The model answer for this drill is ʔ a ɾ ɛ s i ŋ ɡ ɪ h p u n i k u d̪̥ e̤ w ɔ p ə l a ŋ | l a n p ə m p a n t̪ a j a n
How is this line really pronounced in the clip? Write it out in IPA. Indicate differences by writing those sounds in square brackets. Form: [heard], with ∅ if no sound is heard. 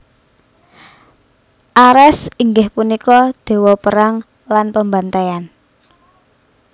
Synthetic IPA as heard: ʔ a ɾ ɛ s i ŋ ɡ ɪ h p u n i k [ɔ] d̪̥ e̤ w ɔ p ə [ɾ] a ŋ | l a n p ə m [b] a n t̪ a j a n